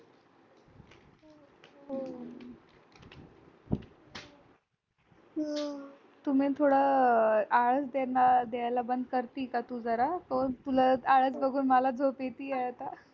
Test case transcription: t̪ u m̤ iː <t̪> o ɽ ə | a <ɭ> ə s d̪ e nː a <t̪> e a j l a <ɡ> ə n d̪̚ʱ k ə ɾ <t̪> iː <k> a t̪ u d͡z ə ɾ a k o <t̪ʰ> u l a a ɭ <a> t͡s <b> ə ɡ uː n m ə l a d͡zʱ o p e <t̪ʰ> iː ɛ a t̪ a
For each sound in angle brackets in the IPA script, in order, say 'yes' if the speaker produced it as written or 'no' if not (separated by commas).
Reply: no, yes, no, no, yes, yes, no, no, yes, no